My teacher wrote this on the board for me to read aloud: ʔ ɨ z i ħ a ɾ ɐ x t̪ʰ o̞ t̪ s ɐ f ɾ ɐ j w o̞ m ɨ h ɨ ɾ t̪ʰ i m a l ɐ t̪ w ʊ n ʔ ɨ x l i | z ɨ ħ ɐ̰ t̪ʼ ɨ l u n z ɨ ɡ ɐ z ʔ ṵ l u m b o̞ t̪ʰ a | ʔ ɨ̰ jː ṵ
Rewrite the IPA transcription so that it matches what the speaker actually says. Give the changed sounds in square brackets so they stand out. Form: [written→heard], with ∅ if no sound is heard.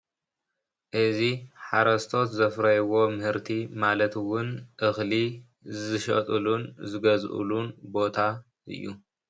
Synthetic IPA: ʔ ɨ z i ħ a ɾ ɐ [x→s] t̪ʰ o̞ t̪ [s→z] ɐ f ɾ ɐ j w o̞ m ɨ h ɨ ɾ t̪ʰ i m a l ɐ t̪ w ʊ n ʔ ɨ x l i | z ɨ [ħ→ʃ] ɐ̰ t̪ʼ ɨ l u n z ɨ ɡ ɐ z ʔ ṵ l u [m→n] b o̞ t̪ʰ a | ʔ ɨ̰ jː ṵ